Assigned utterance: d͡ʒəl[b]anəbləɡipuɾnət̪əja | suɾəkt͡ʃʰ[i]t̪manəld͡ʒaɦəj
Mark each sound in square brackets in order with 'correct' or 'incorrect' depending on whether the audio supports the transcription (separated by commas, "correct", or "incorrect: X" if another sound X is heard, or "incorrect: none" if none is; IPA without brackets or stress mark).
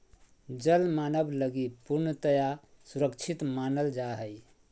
incorrect: m, correct